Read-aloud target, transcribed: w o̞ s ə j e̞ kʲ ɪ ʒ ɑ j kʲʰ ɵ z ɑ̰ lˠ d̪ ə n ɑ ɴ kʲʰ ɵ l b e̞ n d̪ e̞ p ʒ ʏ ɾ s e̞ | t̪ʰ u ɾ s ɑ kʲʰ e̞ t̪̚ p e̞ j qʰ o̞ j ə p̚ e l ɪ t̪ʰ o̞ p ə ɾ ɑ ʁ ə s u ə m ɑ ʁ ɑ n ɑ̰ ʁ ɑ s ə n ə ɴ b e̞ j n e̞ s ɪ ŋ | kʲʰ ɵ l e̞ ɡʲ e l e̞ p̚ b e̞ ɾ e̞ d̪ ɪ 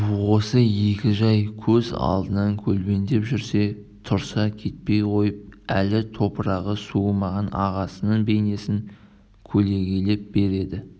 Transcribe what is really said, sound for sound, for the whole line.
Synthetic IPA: w o̞ s ə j e̞ kʲ ɪ ʒ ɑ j kʲʰ ɵ z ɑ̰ lˠ d̪ ə n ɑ ŋ kʲʰ ɵ l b e̞ n d̪ e̞ p ʒ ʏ ɾ s e̞ | t̪ʰ ʊ ɾ s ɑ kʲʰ e̞ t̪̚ p e̞ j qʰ o̞ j ə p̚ æ l ɪ t̪ʰ o̞ p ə ɾ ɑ ʁ ə s u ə m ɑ ʁ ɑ n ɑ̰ ʁ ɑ s ə n ə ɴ b e̞ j n e̞ s ɪ ŋ | kʲʰ ɵ l e̞ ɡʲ e l e̞ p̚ b e̞ ɾ e̞ d̪ ɪ